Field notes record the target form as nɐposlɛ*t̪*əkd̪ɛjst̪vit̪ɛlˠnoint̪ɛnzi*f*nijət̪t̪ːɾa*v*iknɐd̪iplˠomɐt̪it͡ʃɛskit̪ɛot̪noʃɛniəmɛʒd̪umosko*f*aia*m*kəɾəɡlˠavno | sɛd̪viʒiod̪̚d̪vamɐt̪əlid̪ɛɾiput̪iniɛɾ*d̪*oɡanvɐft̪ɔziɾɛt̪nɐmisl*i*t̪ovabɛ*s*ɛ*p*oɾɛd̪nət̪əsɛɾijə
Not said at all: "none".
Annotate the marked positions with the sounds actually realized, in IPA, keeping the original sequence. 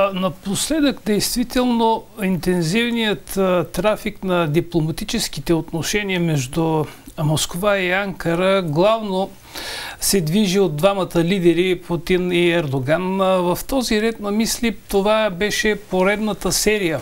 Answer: d̪, v, f, v, ŋ, d̪, i, ʃ, p

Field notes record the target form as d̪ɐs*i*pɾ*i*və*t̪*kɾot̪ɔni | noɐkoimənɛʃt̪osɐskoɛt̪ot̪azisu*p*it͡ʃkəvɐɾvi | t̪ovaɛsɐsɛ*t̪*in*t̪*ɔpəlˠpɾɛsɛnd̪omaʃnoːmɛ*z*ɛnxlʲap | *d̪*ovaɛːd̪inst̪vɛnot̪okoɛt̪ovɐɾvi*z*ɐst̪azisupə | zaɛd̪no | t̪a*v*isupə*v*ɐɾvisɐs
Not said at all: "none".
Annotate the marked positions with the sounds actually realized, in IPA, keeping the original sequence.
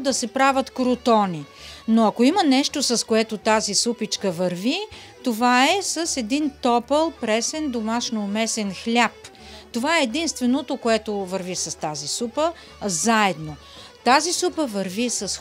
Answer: ɛ, a, t̪, p, d̪, t̪, s, t̪, s, z, v

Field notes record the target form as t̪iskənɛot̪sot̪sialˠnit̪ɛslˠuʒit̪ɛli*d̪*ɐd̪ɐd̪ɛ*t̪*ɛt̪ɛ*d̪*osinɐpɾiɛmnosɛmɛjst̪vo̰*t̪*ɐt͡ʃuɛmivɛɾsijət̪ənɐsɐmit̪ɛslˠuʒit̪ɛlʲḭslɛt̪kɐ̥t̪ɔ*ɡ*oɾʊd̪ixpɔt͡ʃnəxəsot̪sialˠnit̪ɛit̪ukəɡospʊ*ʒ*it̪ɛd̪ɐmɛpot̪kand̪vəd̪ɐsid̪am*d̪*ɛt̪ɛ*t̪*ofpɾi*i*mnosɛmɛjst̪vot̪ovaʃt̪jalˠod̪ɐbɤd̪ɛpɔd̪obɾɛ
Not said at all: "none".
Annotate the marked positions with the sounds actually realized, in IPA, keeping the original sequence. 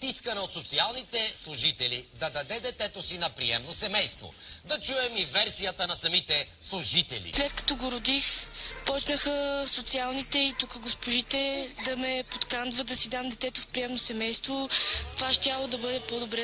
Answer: d̪, d̪, t̪, d̪, ɡ, ʒ, d̪, t̪, ɛ

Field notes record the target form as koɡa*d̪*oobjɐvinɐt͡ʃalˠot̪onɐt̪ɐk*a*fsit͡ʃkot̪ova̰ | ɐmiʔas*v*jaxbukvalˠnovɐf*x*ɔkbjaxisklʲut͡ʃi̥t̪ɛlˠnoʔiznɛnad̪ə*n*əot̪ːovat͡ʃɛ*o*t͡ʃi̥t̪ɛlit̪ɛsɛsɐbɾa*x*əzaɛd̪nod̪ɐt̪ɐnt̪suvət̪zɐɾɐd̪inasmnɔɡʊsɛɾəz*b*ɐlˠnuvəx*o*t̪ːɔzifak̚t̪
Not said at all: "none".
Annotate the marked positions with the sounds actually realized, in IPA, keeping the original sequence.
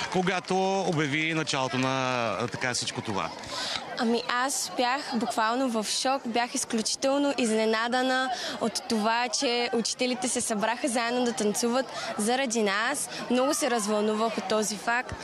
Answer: t̪, a, b, ʃ, n, u, x, v, o

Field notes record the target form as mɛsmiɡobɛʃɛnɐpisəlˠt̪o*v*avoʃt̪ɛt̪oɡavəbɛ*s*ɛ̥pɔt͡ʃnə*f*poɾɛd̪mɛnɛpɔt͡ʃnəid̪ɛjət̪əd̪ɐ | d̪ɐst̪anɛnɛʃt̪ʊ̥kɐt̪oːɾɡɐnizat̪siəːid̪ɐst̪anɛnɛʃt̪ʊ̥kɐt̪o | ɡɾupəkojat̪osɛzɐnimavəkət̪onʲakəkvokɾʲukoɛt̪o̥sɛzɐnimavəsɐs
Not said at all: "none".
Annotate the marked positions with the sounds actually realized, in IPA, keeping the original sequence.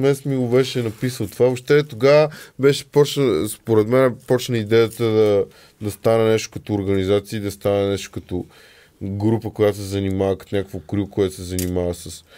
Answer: v, ʃ, s

